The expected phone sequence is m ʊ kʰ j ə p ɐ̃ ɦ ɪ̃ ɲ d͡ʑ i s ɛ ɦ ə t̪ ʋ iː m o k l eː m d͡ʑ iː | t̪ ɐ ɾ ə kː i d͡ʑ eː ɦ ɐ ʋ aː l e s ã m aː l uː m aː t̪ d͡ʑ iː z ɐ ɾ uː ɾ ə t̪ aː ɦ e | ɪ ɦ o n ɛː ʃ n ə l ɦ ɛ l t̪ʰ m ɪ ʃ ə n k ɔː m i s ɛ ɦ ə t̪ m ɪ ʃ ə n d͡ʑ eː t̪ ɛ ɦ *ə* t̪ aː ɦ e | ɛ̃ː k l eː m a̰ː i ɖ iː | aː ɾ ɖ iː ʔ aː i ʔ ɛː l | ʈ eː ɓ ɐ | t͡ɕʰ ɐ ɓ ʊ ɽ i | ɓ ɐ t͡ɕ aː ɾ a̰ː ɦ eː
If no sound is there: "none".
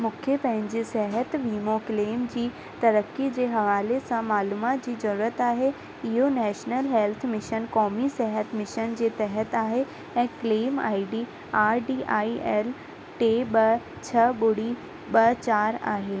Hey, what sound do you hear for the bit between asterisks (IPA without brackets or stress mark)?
ə